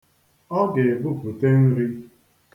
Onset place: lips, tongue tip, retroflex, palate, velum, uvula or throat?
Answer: velum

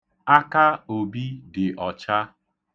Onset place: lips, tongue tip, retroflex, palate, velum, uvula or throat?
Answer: velum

